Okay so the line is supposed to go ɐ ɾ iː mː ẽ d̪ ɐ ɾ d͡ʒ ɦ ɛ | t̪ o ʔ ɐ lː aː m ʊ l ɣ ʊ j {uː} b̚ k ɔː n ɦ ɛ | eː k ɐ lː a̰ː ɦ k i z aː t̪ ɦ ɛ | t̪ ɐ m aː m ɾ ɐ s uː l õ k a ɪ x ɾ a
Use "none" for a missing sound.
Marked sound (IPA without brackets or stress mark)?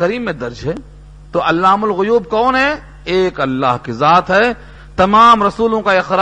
uː